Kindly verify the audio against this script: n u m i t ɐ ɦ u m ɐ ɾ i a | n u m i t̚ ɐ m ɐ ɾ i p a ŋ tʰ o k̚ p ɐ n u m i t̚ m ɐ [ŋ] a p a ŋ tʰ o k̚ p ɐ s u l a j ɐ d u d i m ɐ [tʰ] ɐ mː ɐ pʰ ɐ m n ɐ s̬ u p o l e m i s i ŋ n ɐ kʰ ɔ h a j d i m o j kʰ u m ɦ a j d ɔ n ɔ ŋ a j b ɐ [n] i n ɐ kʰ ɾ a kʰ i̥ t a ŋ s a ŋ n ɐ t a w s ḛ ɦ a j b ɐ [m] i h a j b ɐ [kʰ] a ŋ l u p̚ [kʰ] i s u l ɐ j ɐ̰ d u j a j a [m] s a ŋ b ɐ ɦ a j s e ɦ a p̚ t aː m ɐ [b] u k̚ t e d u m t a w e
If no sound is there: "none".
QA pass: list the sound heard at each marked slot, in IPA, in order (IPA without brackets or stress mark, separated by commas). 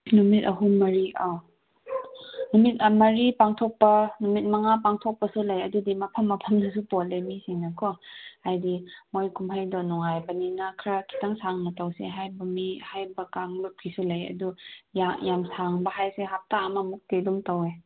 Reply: ŋ, pʰ, n, m, k, kʰ, m, m